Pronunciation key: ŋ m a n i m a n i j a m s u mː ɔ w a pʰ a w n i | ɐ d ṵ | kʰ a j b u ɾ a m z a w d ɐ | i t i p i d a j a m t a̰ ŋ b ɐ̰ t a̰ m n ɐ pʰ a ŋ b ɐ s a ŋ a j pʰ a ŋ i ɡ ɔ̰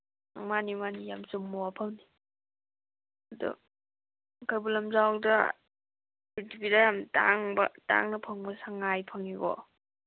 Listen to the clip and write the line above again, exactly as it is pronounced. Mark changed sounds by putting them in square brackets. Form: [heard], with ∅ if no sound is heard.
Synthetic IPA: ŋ m a n i m a n i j a m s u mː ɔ w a pʰ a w n i | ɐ d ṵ | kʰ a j b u [l] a m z a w d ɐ | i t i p i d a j a m t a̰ ŋ b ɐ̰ t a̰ [ŋ] n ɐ pʰ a ŋ b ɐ s a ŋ a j pʰ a ŋ i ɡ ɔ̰